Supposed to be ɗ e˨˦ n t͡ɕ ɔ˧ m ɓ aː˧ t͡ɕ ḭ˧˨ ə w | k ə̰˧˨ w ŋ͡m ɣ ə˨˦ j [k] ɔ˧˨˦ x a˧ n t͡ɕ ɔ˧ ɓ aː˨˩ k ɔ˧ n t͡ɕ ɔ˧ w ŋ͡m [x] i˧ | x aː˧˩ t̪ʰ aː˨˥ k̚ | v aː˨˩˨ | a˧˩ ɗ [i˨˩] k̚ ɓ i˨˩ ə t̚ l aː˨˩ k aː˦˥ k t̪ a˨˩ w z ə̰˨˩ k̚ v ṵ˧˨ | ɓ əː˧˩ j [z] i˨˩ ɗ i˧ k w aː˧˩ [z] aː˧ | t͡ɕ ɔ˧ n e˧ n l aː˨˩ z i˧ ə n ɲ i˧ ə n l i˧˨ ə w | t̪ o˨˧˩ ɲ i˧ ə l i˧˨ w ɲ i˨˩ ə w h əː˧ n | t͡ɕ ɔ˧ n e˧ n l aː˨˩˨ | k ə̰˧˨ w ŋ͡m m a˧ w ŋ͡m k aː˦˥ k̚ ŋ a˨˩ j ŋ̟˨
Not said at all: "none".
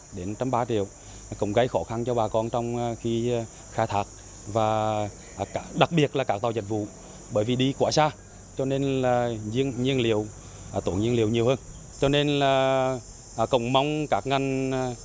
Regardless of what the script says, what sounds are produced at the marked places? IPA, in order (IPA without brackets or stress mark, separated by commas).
x, x, a˨˩, v, s